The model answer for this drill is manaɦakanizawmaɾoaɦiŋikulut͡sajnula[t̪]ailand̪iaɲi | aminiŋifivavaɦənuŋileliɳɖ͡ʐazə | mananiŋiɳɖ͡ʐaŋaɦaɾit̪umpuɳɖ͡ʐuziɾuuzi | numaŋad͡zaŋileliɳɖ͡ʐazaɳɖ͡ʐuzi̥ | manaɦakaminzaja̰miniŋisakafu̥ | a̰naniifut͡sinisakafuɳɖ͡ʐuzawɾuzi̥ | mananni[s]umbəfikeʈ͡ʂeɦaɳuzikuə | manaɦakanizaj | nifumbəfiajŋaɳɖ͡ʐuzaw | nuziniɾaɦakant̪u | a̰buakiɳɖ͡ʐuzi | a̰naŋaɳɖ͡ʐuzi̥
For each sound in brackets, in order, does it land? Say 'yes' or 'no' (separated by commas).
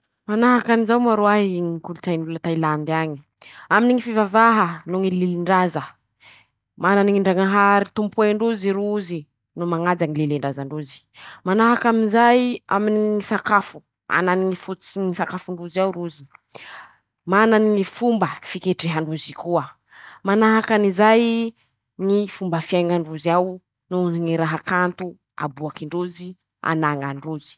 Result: yes, no